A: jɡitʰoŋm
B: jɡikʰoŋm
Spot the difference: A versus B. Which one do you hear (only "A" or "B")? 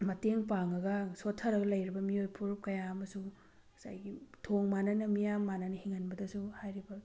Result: A